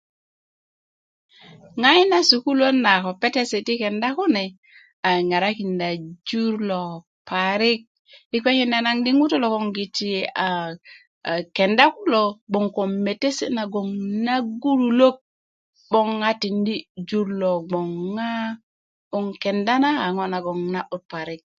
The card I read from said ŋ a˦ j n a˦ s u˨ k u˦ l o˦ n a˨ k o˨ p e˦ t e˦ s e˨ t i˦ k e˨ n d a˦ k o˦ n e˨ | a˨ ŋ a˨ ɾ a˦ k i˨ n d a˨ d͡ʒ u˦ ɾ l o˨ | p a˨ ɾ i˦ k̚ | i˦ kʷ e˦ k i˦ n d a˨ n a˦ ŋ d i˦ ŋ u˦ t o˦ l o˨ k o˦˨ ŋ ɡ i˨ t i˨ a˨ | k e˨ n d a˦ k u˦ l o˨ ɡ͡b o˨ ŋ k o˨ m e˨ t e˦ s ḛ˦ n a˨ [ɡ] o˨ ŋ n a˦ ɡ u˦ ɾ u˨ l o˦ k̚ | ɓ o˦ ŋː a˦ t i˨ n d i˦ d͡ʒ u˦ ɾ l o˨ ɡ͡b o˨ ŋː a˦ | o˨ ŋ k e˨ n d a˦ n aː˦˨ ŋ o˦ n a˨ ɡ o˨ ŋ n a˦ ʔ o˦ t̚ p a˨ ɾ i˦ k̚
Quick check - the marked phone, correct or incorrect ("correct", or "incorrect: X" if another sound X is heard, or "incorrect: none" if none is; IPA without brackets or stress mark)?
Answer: correct